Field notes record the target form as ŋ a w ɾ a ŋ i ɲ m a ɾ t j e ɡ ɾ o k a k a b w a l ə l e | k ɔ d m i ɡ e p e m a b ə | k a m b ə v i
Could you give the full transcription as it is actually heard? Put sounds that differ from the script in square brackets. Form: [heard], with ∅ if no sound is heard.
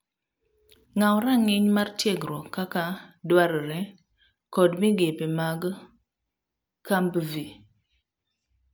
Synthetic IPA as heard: ŋ a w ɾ a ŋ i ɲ m a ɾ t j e ɡ ɾ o k a k a [d] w a [ɾ] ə [ɾ] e | k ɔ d m i ɡ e p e m a [ɡ] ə | k a m b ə v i